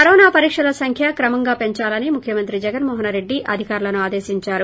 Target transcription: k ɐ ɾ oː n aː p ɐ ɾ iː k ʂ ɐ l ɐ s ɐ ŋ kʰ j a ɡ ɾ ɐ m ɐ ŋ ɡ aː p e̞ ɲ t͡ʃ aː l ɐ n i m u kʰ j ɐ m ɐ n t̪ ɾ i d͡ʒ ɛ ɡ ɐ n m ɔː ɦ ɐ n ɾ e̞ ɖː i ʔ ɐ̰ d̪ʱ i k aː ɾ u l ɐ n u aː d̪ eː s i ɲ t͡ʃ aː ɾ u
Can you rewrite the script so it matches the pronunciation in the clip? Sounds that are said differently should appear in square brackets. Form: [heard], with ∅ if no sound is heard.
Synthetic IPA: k ɐ ɾ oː n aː p ɐ ɾ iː k ʂ ɐ l ɐ s ɐ ŋ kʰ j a [k] ɾ ɐ m ɐ ŋ ɡ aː p e̞ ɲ t͡ʃ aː l ɐ n i m u kʰ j ɐ m ɐ n t̪ ɾ i d͡ʒ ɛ ɡ ɐ n m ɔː ɦ ɐ n ɾ e̞ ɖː i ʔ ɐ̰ d̪ʱ i k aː ɾ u l ɐ n u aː d̪ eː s i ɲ t͡ʃ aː ɾ u